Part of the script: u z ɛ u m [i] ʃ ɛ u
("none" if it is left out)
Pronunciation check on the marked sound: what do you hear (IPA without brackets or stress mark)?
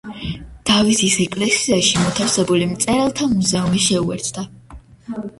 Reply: i